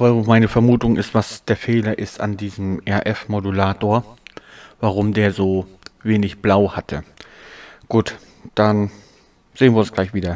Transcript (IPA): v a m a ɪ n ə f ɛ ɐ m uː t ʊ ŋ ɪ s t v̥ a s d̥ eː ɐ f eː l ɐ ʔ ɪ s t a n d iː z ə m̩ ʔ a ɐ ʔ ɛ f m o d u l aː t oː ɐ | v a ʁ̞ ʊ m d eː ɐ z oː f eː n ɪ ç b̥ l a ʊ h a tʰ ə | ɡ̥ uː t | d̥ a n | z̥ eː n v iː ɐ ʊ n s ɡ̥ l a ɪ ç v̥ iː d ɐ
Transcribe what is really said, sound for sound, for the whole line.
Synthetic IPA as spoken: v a m a ɪ n ə f ɛ ɐ m uː t ʊ ŋ ɪ s t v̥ a s d̥ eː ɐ f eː l ɐ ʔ ɪ s t a n d iː z ə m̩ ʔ ɛ ɐ ʔ ɛ f m o d u l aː t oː ɐ | v a ʁ̞ ʊ m d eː ɐ z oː v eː n ɪ ç b̥ l a ʊ h a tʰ ə | ɡ̥ uː t | d̥ a n | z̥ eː n v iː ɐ ʊ n s ɡ̥ l a ɪ ç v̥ iː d ɐ